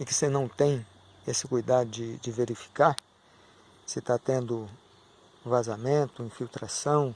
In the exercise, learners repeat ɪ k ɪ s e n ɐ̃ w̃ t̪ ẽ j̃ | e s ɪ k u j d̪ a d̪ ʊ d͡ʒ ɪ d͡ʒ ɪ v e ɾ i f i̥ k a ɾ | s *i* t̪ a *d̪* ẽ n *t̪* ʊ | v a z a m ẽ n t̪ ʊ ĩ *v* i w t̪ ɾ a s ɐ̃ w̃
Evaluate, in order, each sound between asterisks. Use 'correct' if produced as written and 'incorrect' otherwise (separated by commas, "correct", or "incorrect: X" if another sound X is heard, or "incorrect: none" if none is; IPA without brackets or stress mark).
incorrect: ɪ, incorrect: t̪, incorrect: d̪, incorrect: f